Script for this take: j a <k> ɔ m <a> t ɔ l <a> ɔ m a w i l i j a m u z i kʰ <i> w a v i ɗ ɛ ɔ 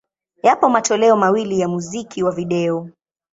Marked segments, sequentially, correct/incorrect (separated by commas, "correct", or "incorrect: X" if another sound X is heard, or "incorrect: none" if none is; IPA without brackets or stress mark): incorrect: p, correct, incorrect: ɛ, correct